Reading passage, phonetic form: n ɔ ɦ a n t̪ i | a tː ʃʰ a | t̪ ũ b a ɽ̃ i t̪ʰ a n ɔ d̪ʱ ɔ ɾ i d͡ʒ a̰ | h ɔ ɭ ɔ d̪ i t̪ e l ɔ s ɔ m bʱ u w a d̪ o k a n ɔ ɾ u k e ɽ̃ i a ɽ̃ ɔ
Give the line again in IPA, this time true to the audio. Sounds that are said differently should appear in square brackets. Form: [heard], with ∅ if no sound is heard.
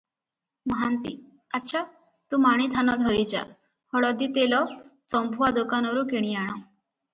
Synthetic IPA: [m] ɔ ɦ a n t̪ i | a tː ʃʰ a | t̪ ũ [m] a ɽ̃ i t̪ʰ a n ɔ d̪ʱ ɔ ɾ i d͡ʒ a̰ | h ɔ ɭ ɔ d̪ i t̪ e l ɔ s ɔ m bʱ u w a d̪ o k a n ɔ ɾ u k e ɽ̃ i a ɽ̃ ɔ